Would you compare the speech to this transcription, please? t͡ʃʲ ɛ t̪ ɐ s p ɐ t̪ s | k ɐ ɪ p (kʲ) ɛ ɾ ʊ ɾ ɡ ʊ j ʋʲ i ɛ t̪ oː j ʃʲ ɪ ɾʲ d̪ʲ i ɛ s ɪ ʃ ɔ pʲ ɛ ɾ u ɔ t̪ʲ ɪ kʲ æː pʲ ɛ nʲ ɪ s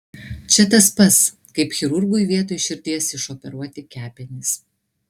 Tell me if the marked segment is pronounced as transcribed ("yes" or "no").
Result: no